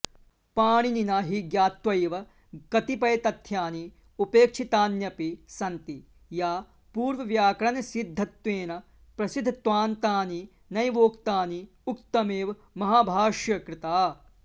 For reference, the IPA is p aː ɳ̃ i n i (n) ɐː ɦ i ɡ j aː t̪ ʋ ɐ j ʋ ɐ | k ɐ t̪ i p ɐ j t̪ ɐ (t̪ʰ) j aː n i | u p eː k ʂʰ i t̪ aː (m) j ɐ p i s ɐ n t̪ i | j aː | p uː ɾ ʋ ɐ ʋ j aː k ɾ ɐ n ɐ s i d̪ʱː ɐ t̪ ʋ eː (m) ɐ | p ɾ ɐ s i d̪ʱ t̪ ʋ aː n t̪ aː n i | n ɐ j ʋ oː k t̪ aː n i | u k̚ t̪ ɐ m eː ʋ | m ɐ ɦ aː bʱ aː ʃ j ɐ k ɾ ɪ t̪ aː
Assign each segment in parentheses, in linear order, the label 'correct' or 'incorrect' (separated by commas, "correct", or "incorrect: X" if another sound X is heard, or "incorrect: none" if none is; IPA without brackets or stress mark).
correct, correct, incorrect: n, incorrect: n